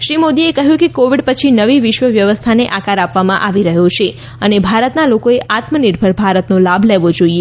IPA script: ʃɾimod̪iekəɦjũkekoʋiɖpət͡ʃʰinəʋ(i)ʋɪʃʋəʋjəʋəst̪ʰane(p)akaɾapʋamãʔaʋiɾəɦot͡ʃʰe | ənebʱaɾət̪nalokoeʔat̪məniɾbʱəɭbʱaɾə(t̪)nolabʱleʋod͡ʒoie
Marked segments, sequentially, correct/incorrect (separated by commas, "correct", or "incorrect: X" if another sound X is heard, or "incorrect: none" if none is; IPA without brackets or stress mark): correct, incorrect: ʔ, correct